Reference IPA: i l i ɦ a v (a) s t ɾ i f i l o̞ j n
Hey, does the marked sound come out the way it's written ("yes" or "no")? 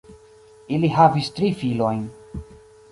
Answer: no